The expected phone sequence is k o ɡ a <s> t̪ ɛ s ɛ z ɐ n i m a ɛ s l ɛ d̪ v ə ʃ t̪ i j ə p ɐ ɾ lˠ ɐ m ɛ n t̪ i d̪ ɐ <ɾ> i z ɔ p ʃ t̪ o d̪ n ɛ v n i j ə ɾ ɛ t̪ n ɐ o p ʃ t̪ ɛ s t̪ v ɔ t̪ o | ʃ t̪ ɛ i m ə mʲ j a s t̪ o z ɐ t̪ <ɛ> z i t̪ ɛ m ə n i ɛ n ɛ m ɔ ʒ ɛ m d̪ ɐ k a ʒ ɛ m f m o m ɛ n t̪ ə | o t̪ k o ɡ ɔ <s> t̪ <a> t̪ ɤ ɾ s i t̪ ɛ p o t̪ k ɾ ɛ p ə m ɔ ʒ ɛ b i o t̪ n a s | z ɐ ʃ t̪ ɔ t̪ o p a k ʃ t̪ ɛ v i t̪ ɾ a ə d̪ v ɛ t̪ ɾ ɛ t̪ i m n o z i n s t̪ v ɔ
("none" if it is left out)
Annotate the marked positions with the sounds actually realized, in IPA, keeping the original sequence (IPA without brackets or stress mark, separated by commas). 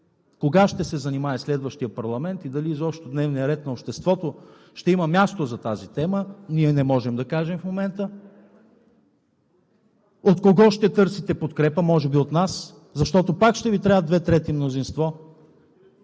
ʃ, l, a, ʃ, ɛ